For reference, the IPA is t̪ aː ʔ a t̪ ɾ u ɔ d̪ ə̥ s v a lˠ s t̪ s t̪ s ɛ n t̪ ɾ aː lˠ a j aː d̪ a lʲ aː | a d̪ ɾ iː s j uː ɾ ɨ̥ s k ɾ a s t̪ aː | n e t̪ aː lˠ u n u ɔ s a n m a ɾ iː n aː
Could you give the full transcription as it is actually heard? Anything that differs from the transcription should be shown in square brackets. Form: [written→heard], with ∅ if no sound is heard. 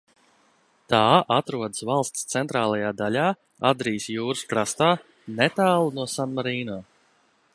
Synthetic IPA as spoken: t̪ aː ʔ a t̪ ɾ u ɔ d̪ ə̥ s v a lˠ s t̪ s t̪ s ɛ n t̪ ɾ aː lˠ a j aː d̪ a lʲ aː | a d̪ ɾ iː s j uː ɾ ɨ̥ s k ɾ a s t̪ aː | n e t̪ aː lˠ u n u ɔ s a n m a ɾ iː n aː